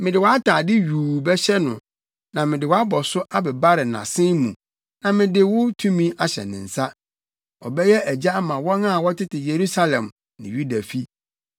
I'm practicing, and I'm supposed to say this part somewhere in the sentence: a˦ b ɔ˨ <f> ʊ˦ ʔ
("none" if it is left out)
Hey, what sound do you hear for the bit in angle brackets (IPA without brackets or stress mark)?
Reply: s